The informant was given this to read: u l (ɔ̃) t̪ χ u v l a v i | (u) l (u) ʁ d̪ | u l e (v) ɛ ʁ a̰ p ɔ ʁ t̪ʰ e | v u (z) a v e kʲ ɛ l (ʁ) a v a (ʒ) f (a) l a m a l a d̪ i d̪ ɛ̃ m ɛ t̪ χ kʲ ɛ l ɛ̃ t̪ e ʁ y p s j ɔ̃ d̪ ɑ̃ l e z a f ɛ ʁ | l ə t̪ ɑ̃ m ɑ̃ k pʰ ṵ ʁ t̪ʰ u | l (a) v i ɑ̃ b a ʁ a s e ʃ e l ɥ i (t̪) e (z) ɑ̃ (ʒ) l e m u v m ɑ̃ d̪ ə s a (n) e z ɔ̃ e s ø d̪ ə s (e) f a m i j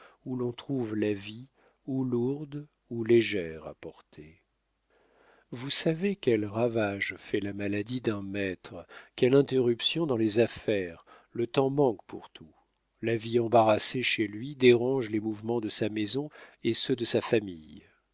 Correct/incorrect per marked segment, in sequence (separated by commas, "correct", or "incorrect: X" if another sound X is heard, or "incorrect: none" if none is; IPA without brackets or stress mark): correct, correct, correct, incorrect: ʒ, incorrect: s, correct, correct, incorrect: ɛ, correct, incorrect: d̪, incorrect: ʁ, correct, incorrect: m, incorrect: a